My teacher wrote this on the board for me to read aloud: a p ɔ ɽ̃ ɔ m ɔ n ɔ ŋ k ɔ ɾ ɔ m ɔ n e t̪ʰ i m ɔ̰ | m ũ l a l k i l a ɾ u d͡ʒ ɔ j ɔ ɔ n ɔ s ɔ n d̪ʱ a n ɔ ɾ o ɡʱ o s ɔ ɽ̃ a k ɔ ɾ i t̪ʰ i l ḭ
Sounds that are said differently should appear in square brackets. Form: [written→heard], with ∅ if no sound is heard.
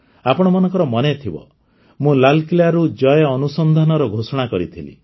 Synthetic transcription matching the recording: a p ɔ ɽ̃ ɔ m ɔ n ɔ ŋ k ɔ ɾ ɔ m ɔ n e t̪ʰ i [m→b] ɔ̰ | m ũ l a l k i l a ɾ u d͡ʒ ɔ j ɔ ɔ n [ɔ→u] s ɔ n d̪ʱ a n ɔ ɾ [o→ɔ] ɡʱ o s ɔ ɽ̃ a k ɔ ɾ i t̪ʰ i l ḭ